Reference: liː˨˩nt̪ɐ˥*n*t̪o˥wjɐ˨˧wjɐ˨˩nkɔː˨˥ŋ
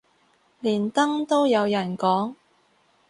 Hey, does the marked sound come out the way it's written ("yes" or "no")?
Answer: no